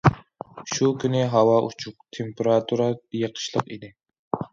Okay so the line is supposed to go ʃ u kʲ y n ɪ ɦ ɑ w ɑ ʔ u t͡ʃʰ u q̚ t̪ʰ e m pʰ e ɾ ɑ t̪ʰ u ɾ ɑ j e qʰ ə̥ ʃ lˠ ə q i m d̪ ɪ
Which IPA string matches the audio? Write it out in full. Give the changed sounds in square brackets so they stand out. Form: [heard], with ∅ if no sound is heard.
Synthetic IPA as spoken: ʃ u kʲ y n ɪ ɦ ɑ w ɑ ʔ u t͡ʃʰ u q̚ t̪ʰ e m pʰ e ɾ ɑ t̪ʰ u ɾ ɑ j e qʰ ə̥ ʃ lˠ ə q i [∅] d̪ ɪ